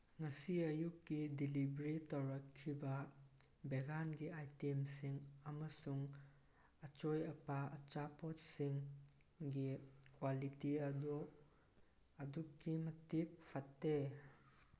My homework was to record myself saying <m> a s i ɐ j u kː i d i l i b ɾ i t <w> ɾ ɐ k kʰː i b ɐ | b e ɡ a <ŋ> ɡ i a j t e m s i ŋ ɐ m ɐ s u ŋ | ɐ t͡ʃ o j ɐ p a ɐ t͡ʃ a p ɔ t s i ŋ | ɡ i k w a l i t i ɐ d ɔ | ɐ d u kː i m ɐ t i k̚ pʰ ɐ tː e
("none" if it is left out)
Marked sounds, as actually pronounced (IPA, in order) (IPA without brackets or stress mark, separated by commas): ŋ, w, n